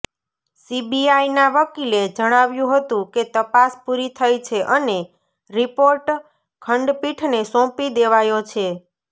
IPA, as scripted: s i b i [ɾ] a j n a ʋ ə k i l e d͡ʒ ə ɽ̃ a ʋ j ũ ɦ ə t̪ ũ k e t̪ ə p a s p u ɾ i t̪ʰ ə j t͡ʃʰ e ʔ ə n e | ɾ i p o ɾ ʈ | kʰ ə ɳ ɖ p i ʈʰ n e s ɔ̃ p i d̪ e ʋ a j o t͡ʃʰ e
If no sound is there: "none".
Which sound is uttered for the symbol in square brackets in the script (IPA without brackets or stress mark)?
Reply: none